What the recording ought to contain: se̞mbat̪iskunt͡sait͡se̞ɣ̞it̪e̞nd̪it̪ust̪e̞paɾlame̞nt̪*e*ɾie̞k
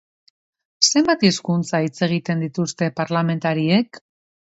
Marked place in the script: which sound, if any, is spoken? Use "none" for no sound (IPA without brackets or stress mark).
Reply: a